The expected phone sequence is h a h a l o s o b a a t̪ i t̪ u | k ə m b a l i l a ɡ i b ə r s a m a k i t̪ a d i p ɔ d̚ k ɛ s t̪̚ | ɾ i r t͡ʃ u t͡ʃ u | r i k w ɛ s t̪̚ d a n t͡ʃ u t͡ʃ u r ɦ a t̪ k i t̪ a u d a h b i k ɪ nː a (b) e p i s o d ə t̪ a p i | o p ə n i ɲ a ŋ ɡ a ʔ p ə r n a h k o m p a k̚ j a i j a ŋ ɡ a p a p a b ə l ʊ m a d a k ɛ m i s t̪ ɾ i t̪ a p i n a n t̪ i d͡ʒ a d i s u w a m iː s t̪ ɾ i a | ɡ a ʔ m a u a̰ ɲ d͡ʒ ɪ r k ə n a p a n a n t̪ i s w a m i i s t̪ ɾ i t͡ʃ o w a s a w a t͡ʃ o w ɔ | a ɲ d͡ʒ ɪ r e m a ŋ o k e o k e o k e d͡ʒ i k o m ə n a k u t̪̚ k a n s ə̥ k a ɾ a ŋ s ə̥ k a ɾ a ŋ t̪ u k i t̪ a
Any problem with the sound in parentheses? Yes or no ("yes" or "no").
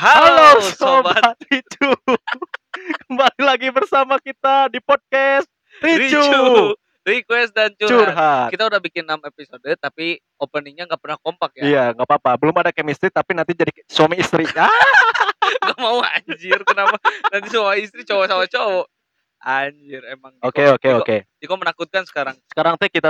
yes